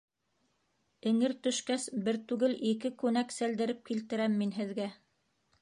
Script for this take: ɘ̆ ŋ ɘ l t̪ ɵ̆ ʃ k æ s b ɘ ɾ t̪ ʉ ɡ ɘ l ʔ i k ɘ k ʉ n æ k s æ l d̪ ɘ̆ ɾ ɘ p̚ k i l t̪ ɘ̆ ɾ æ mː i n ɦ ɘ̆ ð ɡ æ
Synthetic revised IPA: ɘ̆ ŋ ɘ ɾ t̪ ɵ̆ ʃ k æ s b ɘ ɾ t̪ ʉ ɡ ɘ l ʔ i k ɘ k ʉ n æ k s æ l d̪ ɘ̆ ɾ ɘ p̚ k i l t̪ ɘ̆ ɾ æ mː i n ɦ ɘ̆ ð ɡ æ